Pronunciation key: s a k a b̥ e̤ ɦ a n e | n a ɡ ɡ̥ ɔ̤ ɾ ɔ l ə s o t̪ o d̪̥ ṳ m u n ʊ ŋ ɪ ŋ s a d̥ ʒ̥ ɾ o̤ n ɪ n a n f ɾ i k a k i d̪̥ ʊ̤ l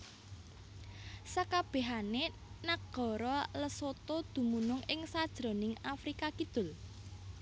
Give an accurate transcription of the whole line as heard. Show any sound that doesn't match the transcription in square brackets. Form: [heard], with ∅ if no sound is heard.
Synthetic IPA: s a k a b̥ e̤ ɦ a n e | n a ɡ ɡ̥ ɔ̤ ɾ ɔ l ə s o t̪ o d̪̥ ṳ m u n ʊ ŋ ɪ ŋ s a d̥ ʒ̥ ɾ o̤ n ɪ [ŋ] a [∅] f ɾ i k a k i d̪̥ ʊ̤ l